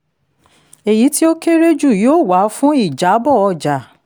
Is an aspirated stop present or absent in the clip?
absent